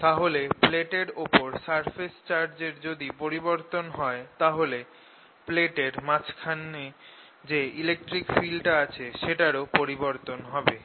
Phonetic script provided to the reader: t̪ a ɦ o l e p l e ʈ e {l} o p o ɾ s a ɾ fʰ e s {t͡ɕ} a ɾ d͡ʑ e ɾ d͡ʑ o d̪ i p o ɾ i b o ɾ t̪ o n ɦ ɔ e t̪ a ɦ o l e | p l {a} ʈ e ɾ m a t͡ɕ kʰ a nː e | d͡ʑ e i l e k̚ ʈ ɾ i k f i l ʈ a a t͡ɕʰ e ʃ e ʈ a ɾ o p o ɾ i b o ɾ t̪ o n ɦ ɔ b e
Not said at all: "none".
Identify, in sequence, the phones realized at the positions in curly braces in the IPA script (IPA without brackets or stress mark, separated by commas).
ɾ, t͡ɕ, e